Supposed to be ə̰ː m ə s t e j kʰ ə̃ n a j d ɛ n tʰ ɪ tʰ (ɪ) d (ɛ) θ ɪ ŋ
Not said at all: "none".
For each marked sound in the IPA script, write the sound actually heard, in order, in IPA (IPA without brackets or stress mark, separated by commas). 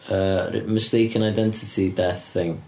i, ɛ